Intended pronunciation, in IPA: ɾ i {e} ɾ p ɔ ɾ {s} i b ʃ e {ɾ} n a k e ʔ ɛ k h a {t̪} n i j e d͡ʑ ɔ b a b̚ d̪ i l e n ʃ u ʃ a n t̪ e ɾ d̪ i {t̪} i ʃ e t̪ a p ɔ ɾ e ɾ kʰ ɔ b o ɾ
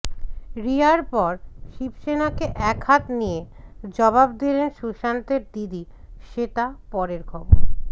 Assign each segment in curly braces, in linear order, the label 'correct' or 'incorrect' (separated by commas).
incorrect, incorrect, incorrect, correct, incorrect